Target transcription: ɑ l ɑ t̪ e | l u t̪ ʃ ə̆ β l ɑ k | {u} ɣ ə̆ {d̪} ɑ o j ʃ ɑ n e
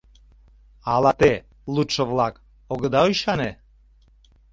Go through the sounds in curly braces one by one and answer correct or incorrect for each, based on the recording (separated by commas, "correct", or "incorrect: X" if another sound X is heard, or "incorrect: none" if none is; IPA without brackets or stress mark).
incorrect: o, correct